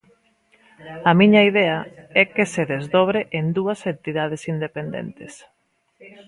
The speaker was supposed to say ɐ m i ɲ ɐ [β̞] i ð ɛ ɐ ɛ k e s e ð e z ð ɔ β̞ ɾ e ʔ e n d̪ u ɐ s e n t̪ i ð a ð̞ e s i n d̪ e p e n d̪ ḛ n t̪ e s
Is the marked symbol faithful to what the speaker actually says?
no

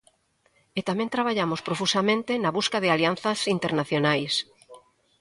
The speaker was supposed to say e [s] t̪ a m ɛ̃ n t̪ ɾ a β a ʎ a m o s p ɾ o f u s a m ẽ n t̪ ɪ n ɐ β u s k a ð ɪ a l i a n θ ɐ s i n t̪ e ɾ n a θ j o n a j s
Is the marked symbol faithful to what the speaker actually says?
no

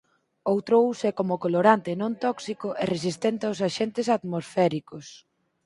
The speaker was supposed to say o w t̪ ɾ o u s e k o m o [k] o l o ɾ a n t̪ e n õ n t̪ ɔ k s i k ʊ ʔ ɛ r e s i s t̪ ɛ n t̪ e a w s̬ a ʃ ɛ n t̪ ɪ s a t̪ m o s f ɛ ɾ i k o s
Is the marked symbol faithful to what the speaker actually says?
yes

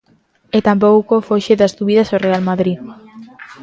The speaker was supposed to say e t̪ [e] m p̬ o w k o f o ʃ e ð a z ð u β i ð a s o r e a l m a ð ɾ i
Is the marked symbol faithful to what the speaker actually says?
no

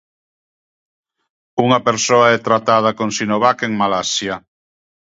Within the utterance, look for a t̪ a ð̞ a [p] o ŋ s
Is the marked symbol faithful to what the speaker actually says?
no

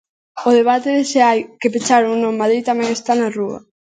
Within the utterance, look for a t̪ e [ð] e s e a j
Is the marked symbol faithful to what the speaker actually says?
yes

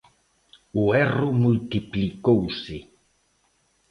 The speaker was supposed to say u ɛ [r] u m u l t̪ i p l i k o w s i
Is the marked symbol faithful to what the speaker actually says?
yes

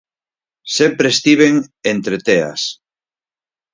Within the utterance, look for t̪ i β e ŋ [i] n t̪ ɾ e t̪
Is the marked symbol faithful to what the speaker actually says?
no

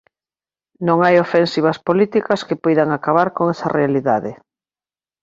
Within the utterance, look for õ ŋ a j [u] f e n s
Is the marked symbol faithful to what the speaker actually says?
no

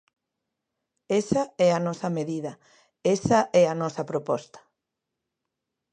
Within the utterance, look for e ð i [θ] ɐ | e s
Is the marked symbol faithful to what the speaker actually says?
no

